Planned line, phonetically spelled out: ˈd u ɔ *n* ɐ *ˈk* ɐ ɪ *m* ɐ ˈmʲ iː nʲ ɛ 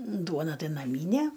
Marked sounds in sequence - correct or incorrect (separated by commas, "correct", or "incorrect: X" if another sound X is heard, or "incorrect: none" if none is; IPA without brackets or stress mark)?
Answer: correct, incorrect: t, incorrect: n